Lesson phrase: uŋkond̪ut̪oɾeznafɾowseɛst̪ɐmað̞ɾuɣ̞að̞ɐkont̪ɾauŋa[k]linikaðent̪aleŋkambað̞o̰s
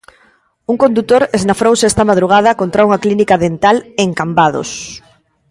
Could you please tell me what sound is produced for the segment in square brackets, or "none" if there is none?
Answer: k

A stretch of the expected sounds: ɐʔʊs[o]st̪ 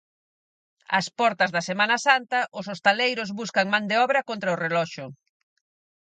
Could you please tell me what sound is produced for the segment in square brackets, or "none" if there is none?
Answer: o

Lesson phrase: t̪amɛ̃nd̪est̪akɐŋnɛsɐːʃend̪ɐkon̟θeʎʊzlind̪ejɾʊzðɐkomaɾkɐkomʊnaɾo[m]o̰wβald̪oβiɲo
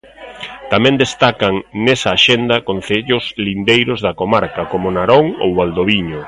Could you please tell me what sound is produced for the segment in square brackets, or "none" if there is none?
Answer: ŋ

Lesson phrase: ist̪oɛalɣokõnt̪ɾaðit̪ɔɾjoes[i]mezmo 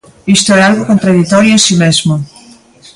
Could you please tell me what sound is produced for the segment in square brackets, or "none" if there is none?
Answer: i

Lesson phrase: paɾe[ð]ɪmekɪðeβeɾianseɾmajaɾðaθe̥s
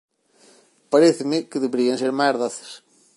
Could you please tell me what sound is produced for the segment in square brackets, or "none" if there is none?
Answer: θ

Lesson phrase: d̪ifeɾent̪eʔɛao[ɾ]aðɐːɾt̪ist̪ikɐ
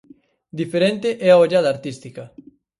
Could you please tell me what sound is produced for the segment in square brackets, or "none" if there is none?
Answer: ʎ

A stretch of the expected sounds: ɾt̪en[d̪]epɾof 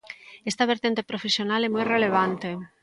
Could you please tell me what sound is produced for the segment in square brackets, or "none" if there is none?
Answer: t̪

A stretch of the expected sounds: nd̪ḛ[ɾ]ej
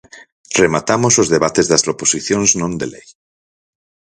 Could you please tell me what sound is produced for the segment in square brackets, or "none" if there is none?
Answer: l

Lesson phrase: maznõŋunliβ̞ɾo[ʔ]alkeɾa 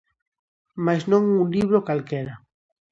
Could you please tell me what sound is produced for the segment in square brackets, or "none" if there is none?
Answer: k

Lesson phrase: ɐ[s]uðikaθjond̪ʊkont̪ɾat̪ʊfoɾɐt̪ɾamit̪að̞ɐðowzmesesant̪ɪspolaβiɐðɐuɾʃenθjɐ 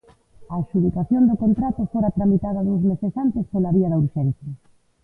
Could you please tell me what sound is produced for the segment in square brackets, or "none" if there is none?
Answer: ʃ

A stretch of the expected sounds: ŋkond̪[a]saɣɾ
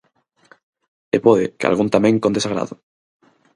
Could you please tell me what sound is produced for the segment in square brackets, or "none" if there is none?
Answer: e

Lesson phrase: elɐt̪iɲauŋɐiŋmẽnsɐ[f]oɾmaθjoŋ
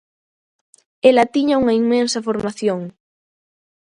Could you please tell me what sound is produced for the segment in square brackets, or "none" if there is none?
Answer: f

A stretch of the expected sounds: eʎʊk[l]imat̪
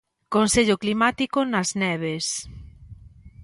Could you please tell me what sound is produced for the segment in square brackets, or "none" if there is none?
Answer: l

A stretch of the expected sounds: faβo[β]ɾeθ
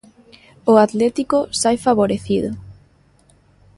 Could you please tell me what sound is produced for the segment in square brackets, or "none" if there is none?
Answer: none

